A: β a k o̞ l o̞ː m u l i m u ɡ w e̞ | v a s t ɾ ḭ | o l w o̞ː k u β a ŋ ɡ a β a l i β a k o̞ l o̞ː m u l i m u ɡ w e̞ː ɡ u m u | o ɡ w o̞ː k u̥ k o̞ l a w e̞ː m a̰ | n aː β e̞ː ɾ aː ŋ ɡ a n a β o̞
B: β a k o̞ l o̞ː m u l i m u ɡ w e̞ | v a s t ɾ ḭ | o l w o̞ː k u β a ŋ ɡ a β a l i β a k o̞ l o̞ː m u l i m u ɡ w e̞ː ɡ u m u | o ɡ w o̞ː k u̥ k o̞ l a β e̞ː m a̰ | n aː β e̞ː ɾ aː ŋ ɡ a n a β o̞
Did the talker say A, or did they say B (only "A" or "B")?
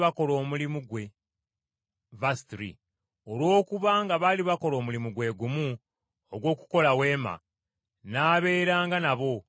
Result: A